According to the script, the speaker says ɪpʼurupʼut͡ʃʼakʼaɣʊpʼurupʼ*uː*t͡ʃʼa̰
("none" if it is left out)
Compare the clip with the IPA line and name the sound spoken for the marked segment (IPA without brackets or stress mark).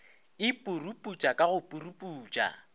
uː